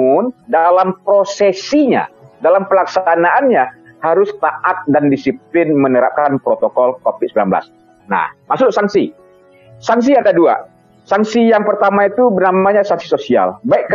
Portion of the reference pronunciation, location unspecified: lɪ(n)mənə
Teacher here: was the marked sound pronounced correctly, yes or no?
yes